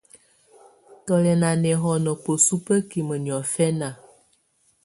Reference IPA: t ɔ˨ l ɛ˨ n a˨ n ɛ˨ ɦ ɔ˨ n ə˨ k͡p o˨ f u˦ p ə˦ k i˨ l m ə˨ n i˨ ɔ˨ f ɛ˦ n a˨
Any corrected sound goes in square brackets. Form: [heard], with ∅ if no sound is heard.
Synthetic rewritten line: t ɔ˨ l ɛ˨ n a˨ n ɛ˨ ɦ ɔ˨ n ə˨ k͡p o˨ [s] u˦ p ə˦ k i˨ [∅] m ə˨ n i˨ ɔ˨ f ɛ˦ n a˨